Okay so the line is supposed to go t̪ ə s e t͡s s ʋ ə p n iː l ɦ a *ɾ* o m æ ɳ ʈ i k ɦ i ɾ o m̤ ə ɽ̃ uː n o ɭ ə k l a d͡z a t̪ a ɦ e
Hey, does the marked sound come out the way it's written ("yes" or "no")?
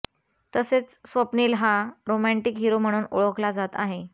yes